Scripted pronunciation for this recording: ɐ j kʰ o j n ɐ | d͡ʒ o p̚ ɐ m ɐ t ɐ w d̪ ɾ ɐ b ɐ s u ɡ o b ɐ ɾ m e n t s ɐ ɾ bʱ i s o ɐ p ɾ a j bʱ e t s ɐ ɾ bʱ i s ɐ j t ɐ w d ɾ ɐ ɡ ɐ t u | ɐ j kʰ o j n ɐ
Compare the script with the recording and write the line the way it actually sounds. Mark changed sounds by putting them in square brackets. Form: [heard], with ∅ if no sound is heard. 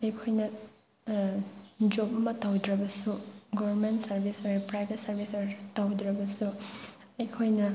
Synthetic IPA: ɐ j kʰ o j n ɐ | d͡ʒ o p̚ ɐ m ɐ t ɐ w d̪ ɾ ɐ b ɐ s u ɡ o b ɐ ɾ m e n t s ɐ ɾ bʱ i s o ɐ p ɾ a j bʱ e t s ɐ ɾ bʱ i s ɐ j t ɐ w d ɾ ɐ [b] ɐ [s] u | ɐ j kʰ o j n ɐ

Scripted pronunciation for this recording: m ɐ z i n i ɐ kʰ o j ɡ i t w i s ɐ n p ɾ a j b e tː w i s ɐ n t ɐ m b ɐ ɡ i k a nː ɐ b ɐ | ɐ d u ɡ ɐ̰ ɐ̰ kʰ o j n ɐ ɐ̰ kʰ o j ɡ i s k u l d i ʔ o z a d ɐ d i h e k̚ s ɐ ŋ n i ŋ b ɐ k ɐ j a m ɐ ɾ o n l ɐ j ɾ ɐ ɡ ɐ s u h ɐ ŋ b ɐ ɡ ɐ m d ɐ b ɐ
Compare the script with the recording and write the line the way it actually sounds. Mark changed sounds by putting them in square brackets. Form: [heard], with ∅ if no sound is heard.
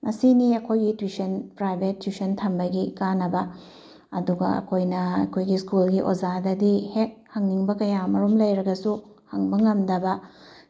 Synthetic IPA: m ɐ [s] i n i ɐ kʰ o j ɡ i t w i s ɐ n p ɾ a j b e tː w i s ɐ n [tʰ] ɐ m b ɐ ɡ i k a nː ɐ b ɐ | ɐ d u ɡ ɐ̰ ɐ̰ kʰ o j n ɐ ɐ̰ kʰ o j ɡ i s k u l [ɡ] i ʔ o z a d ɐ d i h e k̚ [h] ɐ ŋ n i ŋ b ɐ k ɐ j a m ɐ ɾ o [m] l ɐ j ɾ ɐ ɡ ɐ s u h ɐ ŋ b ɐ [ŋ] ɐ m d ɐ b ɐ

